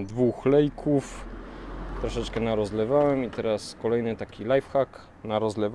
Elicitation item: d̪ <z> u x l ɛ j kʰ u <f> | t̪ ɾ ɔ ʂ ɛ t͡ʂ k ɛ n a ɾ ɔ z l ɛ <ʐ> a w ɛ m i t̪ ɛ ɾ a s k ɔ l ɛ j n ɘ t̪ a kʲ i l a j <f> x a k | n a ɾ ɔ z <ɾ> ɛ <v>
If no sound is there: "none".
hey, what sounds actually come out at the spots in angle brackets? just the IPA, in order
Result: v, f, v, f, l, v

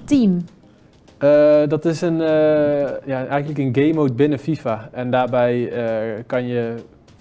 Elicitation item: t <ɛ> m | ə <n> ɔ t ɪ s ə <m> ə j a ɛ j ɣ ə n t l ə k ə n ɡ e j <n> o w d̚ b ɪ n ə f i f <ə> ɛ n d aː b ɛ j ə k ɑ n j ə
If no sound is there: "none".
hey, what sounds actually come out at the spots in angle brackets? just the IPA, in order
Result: i, d, n, m, a

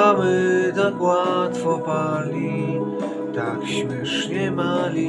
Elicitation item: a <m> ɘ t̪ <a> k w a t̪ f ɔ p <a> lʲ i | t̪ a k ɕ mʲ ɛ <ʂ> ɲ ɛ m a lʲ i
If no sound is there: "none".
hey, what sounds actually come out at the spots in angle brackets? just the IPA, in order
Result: m, a, a, ʂ

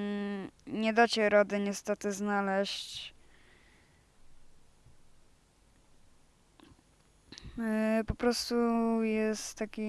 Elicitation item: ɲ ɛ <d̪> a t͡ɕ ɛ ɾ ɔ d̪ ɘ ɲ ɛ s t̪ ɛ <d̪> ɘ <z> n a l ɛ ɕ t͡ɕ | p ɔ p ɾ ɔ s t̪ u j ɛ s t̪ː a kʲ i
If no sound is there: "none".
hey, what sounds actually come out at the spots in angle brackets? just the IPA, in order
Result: d̪, t̪, z

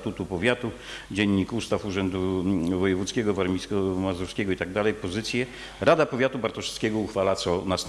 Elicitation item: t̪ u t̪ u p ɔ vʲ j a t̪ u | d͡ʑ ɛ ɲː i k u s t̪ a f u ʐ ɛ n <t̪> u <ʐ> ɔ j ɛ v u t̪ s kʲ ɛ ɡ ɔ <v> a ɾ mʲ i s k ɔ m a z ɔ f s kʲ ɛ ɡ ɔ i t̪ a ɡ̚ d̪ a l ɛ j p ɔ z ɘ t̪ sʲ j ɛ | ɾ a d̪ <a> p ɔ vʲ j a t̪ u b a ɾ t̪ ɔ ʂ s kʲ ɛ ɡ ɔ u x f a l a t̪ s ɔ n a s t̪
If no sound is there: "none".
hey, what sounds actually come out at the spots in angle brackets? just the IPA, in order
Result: d̪, v, v, a

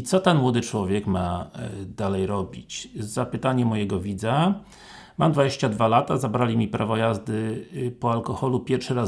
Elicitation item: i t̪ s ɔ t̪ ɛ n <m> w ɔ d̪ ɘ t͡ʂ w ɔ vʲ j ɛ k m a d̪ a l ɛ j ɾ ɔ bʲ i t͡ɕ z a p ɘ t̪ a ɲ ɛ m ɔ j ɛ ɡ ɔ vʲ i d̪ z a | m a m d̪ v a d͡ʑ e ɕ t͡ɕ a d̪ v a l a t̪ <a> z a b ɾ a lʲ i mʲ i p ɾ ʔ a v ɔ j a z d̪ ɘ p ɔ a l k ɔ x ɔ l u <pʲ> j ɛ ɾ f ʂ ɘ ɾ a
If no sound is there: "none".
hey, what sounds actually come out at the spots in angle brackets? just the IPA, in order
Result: m, a, pʲ

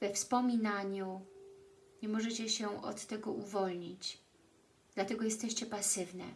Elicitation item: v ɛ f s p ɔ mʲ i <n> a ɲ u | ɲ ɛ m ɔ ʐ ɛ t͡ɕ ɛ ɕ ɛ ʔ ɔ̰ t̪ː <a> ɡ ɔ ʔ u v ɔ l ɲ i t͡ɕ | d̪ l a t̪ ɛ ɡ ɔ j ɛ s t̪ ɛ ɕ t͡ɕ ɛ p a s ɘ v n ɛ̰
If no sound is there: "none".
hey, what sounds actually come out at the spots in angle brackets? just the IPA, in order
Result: n, ɛ

